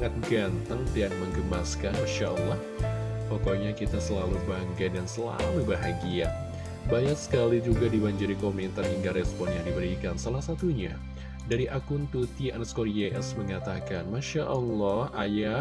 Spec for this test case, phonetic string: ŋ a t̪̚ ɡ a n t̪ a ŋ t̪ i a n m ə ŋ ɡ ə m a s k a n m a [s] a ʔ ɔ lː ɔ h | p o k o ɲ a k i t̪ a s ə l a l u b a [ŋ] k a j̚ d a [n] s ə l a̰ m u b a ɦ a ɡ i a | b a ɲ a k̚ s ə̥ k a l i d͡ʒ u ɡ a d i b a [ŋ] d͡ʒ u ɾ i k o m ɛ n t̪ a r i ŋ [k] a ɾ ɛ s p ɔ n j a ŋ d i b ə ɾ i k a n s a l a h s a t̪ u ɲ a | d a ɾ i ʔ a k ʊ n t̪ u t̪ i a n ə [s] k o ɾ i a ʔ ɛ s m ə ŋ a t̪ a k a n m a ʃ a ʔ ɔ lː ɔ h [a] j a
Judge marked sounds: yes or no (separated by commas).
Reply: no, yes, yes, no, no, yes, yes